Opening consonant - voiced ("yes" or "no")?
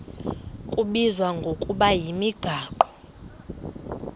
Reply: no